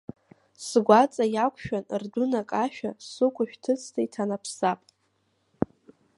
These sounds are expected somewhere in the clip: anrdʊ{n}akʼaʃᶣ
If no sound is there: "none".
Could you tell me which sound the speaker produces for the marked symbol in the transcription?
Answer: n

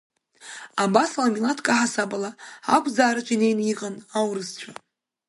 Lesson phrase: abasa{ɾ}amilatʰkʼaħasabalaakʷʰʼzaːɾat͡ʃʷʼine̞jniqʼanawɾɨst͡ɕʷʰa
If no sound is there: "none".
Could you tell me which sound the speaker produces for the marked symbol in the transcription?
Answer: l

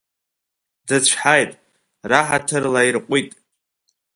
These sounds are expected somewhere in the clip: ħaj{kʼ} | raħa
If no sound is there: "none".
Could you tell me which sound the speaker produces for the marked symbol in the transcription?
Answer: tʼ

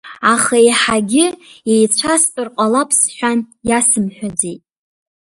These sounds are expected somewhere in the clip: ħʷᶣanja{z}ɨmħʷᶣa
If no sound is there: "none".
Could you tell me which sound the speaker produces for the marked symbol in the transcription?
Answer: s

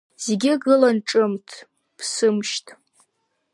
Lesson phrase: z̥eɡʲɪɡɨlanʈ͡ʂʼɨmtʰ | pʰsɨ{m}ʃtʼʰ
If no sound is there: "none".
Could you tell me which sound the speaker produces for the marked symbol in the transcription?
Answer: m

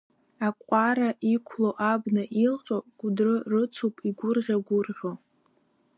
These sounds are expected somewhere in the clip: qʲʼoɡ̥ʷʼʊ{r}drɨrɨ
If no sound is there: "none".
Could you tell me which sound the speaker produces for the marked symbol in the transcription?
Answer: none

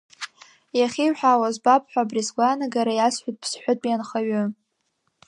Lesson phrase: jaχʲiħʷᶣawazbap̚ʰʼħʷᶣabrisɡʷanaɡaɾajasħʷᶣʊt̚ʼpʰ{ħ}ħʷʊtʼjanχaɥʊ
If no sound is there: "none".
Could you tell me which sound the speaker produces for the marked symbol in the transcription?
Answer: s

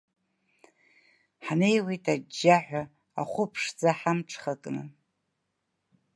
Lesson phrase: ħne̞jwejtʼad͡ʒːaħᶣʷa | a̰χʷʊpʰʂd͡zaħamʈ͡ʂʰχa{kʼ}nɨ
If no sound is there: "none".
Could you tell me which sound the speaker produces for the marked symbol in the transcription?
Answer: kʼ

